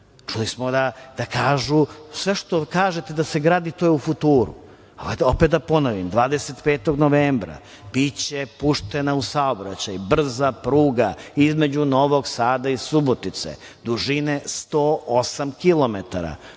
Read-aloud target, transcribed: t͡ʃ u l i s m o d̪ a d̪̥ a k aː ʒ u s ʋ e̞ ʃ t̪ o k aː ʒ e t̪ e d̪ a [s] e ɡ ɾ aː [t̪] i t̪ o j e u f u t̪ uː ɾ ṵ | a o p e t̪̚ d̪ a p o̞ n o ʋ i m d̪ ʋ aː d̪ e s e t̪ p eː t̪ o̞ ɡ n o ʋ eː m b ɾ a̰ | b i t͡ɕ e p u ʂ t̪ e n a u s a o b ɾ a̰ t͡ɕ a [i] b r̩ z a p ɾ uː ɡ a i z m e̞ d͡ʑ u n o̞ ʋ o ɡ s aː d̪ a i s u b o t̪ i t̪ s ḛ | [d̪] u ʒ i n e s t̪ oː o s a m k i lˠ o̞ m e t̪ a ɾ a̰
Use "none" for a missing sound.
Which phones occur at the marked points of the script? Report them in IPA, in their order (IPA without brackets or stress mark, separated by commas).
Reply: s, d̪, j, d̪